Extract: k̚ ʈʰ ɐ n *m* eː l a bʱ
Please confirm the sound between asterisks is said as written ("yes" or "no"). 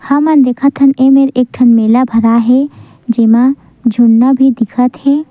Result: yes